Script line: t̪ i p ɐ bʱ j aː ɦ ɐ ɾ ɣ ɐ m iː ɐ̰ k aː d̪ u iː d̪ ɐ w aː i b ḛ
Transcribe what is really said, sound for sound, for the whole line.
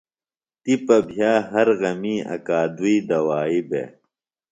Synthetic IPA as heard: t̪ i p ɐ bʱ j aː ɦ ɐ ɾ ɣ ɐ m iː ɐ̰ k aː d̪ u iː d̪ ɐ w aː i b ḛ